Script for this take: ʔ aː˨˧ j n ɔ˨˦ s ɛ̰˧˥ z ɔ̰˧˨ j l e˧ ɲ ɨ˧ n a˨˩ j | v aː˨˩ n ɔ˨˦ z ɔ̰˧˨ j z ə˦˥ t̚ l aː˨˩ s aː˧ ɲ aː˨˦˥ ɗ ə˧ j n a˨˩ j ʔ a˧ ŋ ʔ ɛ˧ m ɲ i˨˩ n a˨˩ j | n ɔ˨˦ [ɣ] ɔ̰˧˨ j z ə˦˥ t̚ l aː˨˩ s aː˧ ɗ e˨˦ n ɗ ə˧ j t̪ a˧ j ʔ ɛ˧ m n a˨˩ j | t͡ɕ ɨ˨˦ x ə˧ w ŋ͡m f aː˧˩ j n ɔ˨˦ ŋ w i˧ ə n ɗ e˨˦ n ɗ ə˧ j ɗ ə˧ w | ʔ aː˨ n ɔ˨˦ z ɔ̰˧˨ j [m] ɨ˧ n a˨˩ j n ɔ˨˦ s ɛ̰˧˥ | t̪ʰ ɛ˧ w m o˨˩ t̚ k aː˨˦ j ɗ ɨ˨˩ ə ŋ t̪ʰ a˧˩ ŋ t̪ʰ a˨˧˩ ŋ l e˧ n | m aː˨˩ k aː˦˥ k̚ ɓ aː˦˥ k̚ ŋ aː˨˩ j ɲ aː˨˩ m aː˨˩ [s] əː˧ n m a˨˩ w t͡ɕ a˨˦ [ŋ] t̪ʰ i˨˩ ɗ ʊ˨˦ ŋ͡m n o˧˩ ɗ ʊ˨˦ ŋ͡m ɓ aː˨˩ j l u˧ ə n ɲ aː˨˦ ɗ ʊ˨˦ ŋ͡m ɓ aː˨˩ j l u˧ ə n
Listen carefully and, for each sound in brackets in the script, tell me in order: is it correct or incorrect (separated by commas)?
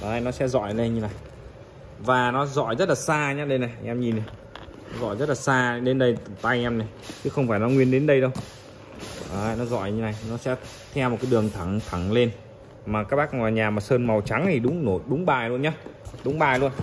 incorrect, incorrect, correct, correct